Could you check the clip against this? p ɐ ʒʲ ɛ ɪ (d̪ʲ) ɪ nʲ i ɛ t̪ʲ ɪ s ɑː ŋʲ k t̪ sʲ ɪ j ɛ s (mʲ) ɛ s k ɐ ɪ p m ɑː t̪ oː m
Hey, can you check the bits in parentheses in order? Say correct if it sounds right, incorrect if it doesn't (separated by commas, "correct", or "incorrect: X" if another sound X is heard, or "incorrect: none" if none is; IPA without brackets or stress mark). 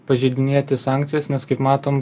correct, incorrect: nʲ